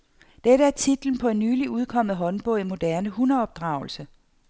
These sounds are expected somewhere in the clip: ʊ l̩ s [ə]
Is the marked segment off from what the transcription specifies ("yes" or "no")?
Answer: no